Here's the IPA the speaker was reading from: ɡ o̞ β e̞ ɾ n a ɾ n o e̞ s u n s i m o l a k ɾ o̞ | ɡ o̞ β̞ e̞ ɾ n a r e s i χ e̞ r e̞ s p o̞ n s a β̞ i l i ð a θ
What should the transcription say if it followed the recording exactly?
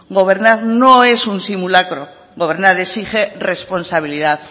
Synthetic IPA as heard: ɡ o̞ β e̞ ɾ n a ɾ n o e̞ s u n s i m u l a k ɾ o̞ | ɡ o̞ β̞ e̞ ɾ n a ɾ e s i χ e̞ r e̞ s p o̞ n s a β̞ i l i ð a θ